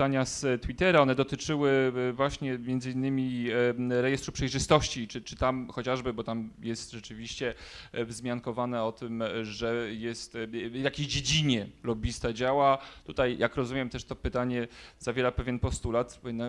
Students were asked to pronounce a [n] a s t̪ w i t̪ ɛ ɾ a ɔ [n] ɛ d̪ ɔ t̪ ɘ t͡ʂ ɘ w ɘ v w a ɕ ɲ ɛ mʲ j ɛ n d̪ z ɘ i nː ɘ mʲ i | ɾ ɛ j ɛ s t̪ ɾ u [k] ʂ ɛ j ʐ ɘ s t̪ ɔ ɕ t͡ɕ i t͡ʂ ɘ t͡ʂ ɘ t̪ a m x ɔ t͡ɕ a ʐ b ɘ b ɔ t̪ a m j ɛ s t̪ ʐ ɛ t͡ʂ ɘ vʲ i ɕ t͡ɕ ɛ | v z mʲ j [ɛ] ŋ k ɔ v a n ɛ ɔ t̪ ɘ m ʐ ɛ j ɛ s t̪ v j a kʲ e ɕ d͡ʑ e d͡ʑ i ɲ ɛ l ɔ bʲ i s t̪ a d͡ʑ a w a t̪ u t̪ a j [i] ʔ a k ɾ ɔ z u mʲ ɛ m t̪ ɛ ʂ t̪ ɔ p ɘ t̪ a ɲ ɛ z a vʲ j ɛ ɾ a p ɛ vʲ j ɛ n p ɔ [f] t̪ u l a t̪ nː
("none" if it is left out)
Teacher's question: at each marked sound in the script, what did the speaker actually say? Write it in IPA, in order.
ɲ, n, p, a, j, s

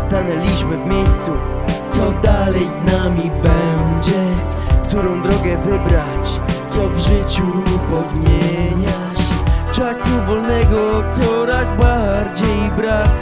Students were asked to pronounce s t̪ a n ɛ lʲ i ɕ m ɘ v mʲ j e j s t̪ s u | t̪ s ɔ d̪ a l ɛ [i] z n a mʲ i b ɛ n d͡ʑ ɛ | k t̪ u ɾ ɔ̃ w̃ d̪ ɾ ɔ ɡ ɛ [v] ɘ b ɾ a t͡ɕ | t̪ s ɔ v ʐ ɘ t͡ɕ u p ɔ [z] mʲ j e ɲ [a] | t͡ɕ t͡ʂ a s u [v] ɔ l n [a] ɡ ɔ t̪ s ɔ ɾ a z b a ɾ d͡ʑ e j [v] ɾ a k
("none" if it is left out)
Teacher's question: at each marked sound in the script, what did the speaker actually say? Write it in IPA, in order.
j, v, z, a, v, ɛ, b

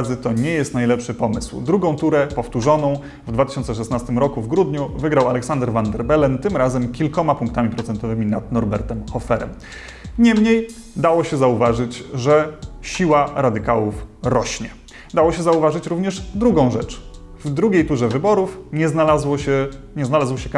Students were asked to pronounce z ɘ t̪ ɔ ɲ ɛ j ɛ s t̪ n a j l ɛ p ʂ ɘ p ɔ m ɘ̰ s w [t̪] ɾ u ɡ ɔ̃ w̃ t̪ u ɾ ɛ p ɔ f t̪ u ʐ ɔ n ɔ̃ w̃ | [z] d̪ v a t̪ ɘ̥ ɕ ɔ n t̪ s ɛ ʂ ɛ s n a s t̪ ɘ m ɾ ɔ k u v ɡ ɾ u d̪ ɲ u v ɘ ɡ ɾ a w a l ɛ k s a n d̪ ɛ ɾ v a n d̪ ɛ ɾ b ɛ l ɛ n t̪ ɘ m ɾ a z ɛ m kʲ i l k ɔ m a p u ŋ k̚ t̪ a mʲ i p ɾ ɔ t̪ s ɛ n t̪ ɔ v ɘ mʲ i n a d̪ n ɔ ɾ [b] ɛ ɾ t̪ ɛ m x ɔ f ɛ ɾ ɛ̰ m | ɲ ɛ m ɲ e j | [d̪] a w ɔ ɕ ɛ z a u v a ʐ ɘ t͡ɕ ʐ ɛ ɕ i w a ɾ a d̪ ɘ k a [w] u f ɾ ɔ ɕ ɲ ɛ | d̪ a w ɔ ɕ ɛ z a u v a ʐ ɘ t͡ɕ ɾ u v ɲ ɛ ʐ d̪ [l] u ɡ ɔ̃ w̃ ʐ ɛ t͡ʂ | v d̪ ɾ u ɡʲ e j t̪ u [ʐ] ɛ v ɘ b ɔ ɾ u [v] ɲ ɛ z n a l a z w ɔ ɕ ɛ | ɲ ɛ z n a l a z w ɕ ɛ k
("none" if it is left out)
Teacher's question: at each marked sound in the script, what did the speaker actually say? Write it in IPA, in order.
d̪, v, b, d̪, w, ɾ, ʐ, f

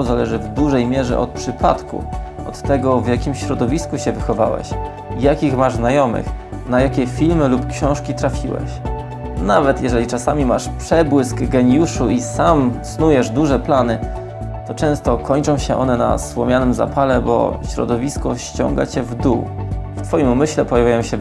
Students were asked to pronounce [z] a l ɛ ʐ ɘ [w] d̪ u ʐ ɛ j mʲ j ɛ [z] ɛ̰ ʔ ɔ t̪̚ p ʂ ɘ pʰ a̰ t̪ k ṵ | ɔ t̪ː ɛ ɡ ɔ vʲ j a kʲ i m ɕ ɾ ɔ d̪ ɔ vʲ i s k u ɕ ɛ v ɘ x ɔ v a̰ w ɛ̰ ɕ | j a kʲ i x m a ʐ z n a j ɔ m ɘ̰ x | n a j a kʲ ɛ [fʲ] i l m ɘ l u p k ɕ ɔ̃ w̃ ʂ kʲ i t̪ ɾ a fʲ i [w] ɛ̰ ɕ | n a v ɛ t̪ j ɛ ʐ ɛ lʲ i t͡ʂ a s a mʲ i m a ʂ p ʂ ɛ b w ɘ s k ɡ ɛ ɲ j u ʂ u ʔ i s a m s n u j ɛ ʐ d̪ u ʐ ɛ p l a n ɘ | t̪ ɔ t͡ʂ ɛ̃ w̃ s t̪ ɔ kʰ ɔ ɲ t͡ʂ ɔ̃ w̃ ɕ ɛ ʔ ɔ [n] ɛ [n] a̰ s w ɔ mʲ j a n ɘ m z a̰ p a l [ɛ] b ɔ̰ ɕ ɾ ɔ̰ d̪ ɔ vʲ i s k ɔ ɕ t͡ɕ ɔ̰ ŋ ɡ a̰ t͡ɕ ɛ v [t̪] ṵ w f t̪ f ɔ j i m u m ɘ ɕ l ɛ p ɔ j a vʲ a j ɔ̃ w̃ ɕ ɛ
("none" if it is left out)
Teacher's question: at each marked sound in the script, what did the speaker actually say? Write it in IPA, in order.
z, v, ʐ, fʲ, w, n, n, ɛ, d̪

